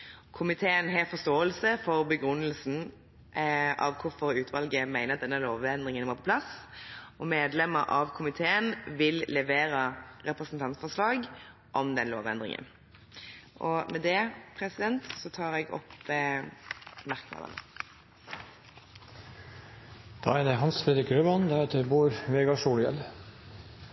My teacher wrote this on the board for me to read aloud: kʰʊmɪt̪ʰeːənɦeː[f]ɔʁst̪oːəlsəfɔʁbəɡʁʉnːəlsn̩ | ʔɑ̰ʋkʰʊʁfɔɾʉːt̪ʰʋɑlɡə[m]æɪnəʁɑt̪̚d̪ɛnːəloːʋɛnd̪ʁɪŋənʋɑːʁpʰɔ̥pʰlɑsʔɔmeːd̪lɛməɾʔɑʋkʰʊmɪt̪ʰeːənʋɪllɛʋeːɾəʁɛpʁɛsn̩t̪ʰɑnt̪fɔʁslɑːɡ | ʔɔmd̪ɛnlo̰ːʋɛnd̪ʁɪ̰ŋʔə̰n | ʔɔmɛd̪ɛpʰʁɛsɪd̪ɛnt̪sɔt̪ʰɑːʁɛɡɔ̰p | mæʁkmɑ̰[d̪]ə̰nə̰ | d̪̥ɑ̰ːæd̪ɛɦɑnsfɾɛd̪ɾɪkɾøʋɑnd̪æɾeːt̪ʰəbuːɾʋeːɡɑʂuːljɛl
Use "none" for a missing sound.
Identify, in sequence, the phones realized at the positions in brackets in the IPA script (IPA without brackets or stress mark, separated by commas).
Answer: f, m, d̪